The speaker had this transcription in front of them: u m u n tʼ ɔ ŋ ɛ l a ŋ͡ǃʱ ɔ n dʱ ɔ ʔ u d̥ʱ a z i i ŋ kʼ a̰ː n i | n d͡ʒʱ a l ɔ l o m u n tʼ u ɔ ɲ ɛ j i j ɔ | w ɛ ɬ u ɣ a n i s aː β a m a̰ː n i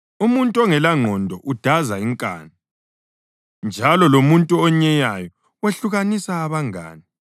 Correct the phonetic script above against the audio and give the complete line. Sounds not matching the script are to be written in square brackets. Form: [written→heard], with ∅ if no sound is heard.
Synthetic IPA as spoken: u m u n tʼ ɔ ŋ ɛ l a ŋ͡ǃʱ ɔ n dʱ ɔ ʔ u d̥ʱ a z [i→a] i ŋ kʼ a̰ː n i | n d͡ʒʱ a l ɔ l o m u n tʼ u ɔ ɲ ɛ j [i→a] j ɔ | w [ɛ→e] ɬ u ɣ a n i s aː β a [m→ŋ] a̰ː n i